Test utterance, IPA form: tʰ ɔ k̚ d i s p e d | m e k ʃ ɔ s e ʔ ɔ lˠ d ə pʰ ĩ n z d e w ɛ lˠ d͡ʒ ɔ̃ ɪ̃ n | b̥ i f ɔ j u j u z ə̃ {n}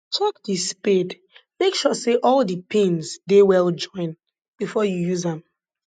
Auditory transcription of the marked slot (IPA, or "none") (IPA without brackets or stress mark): m